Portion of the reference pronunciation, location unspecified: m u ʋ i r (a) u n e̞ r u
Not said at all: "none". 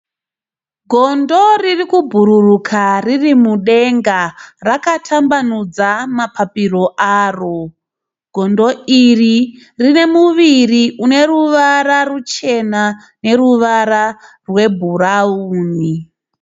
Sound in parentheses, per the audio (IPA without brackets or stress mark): i